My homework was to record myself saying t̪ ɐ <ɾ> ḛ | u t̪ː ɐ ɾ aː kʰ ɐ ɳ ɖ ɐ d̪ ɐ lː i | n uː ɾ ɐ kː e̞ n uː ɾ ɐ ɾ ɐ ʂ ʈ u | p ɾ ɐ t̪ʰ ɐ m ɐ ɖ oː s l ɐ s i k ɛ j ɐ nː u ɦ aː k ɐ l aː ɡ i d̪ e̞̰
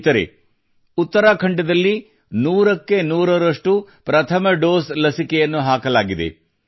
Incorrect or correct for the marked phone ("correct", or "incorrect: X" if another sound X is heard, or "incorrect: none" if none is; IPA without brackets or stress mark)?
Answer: correct